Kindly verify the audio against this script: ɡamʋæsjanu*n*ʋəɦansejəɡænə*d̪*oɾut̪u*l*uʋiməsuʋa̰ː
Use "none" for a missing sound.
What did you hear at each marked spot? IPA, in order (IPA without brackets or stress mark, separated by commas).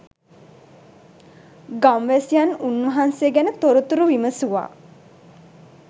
n, t̪, ɾ